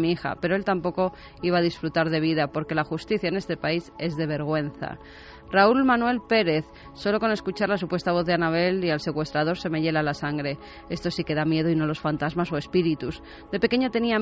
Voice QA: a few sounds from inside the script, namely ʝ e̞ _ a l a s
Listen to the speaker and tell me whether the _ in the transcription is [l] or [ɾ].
l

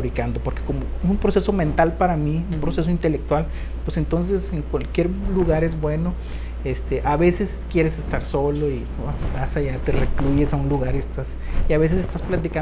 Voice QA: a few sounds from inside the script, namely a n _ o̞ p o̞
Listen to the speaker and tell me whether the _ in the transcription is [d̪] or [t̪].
d̪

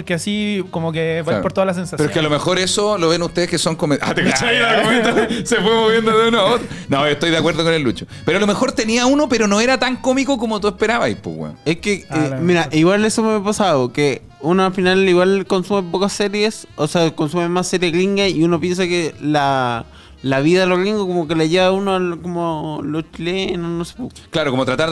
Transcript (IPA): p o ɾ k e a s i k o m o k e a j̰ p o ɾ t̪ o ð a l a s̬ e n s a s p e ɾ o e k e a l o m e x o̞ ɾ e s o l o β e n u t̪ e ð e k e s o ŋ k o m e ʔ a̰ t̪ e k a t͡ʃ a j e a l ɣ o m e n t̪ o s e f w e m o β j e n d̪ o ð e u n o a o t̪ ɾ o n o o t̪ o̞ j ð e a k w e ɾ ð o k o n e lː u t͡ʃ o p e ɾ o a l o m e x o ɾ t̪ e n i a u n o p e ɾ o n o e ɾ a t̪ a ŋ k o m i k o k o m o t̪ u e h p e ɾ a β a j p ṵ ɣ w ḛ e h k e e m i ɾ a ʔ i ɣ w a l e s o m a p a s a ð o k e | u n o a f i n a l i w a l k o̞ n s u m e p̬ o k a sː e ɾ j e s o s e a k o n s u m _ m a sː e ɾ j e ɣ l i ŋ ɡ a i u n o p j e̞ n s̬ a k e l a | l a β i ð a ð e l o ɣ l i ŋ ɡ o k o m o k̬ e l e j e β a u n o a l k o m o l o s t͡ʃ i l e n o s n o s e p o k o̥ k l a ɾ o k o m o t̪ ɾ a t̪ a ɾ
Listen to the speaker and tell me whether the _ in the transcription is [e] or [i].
e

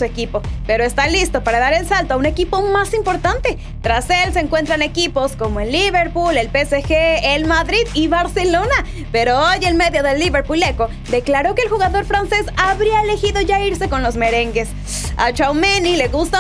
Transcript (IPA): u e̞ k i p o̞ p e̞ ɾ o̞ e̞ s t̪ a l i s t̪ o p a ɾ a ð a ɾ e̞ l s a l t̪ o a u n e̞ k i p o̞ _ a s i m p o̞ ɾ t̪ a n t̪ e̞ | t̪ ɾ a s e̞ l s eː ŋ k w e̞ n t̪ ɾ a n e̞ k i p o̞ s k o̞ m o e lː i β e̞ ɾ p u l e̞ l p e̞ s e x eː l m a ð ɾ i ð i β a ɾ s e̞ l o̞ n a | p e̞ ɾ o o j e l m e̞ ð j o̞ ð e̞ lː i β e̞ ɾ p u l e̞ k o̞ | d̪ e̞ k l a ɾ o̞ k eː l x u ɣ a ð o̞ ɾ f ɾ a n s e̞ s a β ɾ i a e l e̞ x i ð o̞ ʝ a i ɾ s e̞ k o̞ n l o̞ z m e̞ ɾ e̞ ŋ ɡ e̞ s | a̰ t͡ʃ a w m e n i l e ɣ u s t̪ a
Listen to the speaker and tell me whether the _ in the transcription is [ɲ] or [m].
m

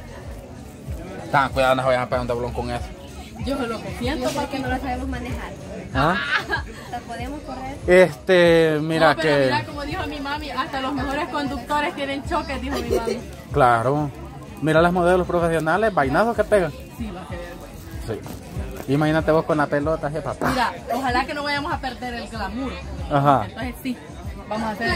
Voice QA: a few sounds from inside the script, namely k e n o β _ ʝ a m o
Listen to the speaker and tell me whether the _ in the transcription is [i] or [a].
a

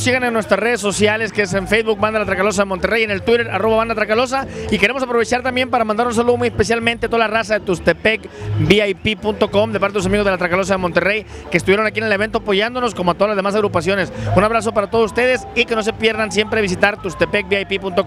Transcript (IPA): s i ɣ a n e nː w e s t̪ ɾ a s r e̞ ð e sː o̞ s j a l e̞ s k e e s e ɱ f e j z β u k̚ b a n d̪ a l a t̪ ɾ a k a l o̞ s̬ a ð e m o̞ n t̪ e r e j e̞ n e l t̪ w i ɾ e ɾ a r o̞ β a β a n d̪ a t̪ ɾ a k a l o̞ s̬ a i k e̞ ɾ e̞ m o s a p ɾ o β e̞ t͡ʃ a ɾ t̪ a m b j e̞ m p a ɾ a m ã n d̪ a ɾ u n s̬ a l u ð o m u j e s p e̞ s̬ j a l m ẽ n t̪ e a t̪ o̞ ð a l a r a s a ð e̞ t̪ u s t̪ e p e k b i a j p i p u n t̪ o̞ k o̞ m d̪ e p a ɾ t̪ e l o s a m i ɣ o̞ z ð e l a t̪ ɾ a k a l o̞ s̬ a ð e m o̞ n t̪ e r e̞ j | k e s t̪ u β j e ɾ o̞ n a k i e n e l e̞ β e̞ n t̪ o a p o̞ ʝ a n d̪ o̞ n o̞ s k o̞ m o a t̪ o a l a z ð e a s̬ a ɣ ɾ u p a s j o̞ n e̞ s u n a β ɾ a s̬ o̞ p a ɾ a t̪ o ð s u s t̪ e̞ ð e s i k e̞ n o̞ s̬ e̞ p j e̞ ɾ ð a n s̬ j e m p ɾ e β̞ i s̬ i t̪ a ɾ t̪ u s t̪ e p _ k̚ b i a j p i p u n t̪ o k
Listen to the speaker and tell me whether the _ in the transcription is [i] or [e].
e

